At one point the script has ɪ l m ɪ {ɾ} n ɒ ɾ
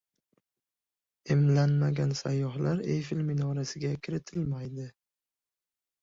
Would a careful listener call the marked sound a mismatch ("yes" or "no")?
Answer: yes